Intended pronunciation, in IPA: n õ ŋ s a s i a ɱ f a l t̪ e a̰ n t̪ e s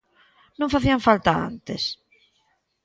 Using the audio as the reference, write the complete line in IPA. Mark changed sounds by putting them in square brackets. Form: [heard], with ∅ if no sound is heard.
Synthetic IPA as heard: n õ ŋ [f] a [θ] i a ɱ f a l t̪ [a] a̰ n t̪ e s